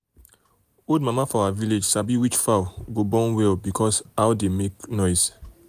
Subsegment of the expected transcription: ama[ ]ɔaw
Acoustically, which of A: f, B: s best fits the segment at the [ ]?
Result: A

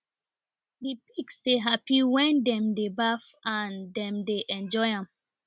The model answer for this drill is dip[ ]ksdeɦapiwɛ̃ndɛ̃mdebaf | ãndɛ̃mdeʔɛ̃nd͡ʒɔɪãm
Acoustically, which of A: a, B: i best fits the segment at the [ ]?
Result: B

